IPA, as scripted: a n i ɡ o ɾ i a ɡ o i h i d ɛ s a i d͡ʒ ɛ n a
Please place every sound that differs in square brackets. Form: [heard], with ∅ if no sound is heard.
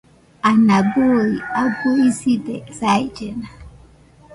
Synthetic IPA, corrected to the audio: a n [a] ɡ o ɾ i a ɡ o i [s] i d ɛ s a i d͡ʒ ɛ n a